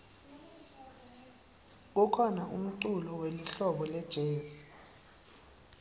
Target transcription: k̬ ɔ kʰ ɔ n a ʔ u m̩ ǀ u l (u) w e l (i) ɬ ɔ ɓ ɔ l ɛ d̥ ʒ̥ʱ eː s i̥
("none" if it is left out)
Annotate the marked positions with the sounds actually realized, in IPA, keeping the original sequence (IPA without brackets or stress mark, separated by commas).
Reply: ɔ, i